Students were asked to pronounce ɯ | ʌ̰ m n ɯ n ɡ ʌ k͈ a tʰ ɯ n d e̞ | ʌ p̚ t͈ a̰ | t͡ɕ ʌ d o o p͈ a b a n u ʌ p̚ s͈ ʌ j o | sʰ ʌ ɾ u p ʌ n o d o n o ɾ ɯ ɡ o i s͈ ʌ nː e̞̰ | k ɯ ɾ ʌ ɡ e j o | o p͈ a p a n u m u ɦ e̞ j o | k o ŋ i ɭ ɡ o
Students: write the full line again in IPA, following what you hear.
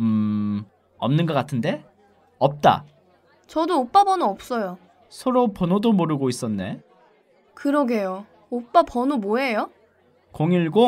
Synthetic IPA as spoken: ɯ | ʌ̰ m n ɯ n ɡ ʌ k͈ a tʰ ɯ n d e̞ | ʌ p̚ t͈ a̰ | t͡ɕ ʌ d o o p͈ a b ʌ n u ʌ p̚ s͈ ʌ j o | sʰ ʌ ɾ o p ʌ n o d o m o ɾ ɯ ɡ o i s͈ ʌ nː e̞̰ | k ɯ ɾ ʌ ɡ e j o | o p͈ a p ʌ n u m o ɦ e̞ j o | k o ŋ i ɭ ɡ o